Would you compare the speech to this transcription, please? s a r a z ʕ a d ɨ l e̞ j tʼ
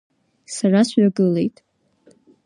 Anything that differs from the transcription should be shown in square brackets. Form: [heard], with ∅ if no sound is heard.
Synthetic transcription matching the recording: s a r a [s] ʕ a [ɡ] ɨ l e̞ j tʼ